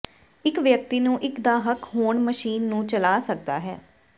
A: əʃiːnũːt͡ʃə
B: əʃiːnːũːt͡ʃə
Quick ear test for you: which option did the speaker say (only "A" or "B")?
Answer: B